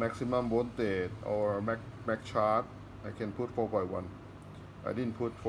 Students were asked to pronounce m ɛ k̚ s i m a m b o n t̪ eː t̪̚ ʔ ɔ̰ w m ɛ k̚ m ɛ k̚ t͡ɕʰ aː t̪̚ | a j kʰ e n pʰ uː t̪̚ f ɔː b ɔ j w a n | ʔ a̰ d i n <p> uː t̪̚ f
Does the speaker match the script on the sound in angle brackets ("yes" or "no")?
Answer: no